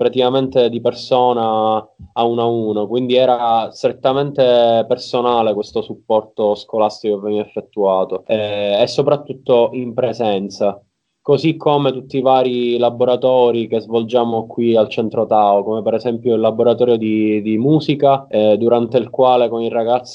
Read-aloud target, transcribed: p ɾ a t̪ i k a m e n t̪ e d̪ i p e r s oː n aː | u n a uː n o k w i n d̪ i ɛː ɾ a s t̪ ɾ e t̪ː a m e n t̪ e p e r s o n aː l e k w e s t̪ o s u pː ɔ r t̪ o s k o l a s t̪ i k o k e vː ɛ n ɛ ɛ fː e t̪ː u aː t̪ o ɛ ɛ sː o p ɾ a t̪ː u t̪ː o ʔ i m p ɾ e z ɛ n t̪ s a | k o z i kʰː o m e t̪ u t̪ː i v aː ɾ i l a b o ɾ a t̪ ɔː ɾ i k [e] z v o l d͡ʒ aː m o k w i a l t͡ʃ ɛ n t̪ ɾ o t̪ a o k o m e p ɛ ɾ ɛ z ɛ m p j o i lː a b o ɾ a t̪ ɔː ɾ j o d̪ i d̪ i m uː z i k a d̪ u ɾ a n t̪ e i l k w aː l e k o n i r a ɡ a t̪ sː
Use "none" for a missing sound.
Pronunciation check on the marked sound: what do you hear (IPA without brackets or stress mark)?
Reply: e